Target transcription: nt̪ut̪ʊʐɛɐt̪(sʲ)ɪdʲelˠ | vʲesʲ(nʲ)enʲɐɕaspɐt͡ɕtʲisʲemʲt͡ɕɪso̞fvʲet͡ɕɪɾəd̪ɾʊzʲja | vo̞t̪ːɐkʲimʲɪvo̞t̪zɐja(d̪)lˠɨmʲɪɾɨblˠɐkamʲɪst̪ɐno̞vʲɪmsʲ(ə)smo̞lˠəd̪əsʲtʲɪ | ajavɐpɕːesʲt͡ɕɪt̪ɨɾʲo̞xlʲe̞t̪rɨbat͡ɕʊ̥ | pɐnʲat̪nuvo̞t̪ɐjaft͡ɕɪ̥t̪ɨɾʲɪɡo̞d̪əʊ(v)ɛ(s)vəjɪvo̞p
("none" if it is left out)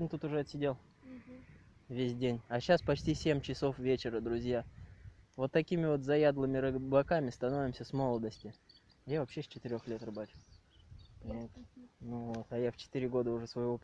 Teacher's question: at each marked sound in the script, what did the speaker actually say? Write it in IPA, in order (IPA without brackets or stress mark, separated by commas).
sʲ, dʲ, d̪, ə, ʐ, s